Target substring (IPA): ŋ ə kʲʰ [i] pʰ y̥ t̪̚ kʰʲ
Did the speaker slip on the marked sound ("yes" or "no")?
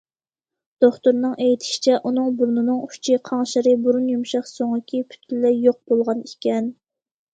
no